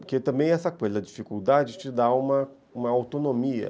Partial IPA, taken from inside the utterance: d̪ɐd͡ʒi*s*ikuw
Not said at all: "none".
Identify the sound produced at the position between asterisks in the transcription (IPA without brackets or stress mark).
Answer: f